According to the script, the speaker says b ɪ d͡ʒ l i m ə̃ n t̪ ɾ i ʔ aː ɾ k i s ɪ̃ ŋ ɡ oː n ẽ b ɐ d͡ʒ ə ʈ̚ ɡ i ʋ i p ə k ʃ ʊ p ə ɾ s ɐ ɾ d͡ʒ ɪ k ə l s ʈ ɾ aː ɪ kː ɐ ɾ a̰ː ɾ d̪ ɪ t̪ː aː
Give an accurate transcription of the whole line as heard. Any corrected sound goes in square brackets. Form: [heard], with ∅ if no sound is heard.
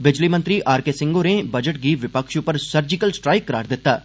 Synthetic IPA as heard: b ɪ d͡ʒ l i m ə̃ n t̪ ɾ i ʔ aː ɾ k [e] s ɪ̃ ŋ ɡ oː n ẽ b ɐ d͡ʒ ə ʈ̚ ɡ i ʋ [ɪ] p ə k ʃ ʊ p ə ɾ s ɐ ɾ d͡ʒ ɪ k ə l s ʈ ɾ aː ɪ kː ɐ ɾ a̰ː ɾ d̪ ɪ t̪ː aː

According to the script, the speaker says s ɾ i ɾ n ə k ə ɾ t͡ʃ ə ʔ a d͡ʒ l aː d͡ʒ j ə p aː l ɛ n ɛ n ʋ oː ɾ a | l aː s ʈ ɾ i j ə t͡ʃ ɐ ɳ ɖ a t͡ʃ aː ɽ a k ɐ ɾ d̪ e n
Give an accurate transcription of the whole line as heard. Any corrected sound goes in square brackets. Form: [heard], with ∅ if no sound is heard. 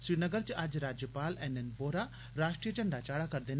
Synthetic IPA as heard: s ɾ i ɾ n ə [ɡ] ə ɾ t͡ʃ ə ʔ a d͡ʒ [ɾ] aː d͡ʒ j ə p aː l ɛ n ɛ n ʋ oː ɾ a | [ɾ] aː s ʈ ɾ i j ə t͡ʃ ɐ ɳ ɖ a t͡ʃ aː ɽ a k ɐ ɾ d̪ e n

